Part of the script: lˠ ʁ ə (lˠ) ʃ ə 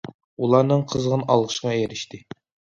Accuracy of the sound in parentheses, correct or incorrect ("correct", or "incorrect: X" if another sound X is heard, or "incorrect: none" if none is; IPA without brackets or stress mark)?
incorrect: none